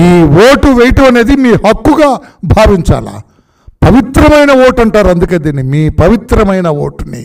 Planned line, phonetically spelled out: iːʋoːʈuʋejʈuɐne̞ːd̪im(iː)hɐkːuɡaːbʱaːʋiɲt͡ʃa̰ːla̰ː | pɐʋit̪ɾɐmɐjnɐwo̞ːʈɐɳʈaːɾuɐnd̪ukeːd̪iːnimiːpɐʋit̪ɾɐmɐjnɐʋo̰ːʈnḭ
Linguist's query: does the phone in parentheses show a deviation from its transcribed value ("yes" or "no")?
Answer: no